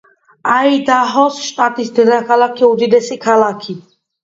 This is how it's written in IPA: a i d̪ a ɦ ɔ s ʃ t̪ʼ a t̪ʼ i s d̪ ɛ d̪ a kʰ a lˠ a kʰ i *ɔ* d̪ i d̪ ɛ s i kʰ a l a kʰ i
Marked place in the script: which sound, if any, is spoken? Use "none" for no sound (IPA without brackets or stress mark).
u